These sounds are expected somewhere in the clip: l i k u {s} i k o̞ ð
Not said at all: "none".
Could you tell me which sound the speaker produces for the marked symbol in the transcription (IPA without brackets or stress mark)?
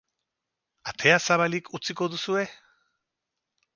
t͡s